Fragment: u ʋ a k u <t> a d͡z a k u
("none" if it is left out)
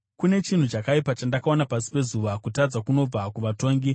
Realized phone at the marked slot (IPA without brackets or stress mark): t